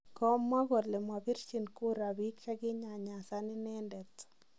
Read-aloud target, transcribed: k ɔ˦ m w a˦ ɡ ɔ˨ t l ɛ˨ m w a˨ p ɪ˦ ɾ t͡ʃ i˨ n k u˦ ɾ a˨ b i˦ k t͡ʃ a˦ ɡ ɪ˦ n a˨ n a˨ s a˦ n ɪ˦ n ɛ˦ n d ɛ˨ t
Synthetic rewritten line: k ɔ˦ m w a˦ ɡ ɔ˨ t l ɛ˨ m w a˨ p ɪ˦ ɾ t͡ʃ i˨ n k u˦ ɾ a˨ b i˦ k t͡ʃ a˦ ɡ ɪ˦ ɲ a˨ ɲ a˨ s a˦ n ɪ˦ n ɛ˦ n d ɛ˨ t